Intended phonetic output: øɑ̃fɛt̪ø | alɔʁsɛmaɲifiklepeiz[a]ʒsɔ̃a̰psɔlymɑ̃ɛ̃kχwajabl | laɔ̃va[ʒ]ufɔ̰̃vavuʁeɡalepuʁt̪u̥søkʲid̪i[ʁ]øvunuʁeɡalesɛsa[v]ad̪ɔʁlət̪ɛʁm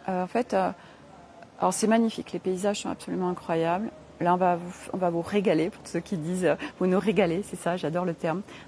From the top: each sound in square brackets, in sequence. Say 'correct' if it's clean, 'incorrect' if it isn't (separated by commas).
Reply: correct, incorrect, incorrect, incorrect